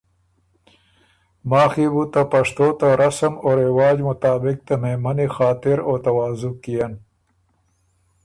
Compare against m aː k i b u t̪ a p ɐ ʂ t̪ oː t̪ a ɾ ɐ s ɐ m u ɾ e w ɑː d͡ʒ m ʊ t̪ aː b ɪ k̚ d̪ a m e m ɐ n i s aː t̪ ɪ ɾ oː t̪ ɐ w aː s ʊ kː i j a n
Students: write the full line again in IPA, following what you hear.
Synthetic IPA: m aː x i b u t̪ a p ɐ ʂ t̪ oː t̪ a ɾ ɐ s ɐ m o ɾ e w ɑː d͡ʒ m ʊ t̪ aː b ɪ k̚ t̪ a m e m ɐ n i x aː t̪ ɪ ɾ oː t̪ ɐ w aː z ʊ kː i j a n